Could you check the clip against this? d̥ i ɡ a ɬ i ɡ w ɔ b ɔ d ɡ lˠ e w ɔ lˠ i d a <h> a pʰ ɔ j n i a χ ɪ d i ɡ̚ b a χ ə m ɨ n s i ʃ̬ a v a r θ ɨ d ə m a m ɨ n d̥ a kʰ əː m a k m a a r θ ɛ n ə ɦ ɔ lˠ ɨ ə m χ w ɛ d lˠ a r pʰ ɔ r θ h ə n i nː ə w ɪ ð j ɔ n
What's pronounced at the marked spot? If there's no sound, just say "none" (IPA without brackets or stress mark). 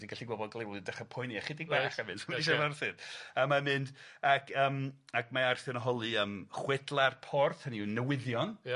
χ